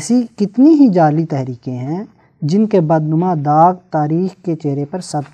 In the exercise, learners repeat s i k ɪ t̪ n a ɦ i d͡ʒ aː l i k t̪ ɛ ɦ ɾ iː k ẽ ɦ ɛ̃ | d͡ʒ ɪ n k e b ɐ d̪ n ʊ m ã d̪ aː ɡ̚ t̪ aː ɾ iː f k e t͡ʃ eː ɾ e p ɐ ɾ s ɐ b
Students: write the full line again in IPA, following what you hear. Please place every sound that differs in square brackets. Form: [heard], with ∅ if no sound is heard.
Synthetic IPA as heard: s i k ɪ t̪ n [i] ɦ i d͡ʒ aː l i [∅] t̪ ɛ ɦ ɾ iː k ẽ ɦ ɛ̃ | d͡ʒ ɪ n k e b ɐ d̪ n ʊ m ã d̪ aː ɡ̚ t̪ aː ɾ iː [x] k e t͡ʃ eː ɾ e p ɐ ɾ s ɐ b